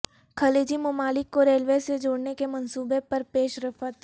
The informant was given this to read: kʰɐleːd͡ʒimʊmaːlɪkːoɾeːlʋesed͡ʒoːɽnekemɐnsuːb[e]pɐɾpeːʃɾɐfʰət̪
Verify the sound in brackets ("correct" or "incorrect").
correct